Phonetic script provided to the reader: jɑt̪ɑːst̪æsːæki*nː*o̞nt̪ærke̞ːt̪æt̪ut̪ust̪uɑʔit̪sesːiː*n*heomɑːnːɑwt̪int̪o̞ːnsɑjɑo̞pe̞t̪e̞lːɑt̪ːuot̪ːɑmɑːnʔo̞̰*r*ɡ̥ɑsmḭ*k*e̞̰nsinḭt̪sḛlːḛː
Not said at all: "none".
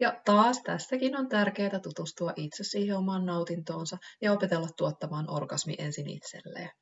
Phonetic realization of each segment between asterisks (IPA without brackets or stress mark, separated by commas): n, none, r, ʔ